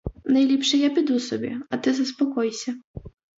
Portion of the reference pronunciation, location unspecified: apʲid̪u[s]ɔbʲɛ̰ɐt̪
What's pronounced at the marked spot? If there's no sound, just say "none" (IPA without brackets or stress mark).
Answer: s